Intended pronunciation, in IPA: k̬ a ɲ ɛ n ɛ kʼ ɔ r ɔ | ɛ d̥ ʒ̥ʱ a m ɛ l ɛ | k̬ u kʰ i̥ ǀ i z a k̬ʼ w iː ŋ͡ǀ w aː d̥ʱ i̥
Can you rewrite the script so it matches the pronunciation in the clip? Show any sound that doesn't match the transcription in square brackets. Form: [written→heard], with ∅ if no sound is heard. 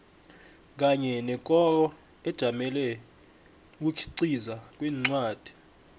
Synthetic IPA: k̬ a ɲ ɛ n ɛ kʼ ɔ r ɔ | ɛ d̥ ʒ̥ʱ a m ɛ l ɛ | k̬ u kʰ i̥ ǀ i z a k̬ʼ w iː ŋ͡ǀ w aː d̥ʱ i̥